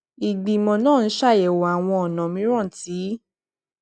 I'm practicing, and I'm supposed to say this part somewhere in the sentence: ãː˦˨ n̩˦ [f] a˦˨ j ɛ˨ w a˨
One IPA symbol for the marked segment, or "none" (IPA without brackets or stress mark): ʃ